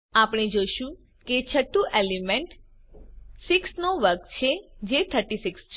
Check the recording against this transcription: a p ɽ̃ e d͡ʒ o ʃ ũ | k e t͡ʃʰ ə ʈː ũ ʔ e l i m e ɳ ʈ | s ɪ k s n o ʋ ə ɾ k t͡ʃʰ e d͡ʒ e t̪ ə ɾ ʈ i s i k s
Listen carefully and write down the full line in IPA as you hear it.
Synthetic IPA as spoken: a p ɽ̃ e d͡ʒ o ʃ ũ | k e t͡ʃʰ ə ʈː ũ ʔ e l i m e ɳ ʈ | s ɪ k s n o ʋ ə ɾ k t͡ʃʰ e d͡ʒ e t̪ʰ ə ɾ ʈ i s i k s

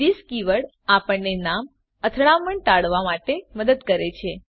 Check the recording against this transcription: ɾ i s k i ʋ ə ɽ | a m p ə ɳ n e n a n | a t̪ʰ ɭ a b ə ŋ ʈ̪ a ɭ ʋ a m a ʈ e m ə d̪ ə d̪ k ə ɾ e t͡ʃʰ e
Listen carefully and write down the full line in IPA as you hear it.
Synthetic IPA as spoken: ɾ i s k i ʋ ə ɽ | a p ə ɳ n e n a m | ə t̪ʰ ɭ a m ə ɳ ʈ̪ a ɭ ʋ a m a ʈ e m ə d̪ ə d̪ k ə ɾ e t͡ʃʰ e

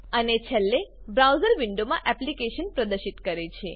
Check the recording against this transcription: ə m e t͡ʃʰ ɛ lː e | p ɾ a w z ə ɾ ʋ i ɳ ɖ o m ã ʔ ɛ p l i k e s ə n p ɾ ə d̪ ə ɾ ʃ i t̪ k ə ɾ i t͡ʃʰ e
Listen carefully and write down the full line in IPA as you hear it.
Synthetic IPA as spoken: ə n e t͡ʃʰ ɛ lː e | b ɾ a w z ə ɾ ʋ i ɳ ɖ o m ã ʔ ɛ p l i k e ʃ ə n p ɾ ə d̪ ə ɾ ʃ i t̪ k ə ɾ e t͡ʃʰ e

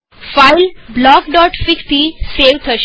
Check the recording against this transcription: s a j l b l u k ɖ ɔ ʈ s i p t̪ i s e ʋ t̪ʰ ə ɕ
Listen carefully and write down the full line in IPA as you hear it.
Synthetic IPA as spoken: f a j l b l ɔ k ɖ ɔ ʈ f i k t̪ i s e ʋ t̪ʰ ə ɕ

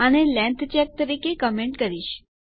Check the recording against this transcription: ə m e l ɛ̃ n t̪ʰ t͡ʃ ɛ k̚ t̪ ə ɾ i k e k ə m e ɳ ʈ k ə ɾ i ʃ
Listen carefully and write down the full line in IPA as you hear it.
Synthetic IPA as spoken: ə n e l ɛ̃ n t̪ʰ t͡ʃ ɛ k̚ t̪ ə ɾ i k e k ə m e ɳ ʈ k ə ɾ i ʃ

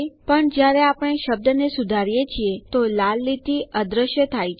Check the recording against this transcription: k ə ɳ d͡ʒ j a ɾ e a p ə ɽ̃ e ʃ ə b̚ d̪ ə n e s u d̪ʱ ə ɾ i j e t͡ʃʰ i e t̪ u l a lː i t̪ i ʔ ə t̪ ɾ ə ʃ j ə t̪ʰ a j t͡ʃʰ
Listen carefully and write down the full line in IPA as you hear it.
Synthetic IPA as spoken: p ə ɳ d͡ʒ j a ɾ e a p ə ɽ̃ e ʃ ə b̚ d̪ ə n e s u d̪ʱ a ɾ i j e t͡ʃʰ i e t̪ o l a lː i t̪ i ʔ ə d̪ ɾ ə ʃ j ə t̪ʰ a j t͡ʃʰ

